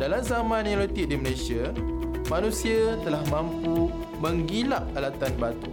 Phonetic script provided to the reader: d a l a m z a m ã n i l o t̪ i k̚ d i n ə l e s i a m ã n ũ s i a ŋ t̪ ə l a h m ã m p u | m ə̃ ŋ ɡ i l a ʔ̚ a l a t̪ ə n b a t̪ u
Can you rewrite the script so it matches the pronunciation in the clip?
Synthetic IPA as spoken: d a l a m z a m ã n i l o t̪ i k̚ d i m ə l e s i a m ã n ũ s i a t̪ ə l a h m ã m p u | m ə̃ ŋ ɡ i l a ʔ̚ a l a t̪ a n b a t̪ u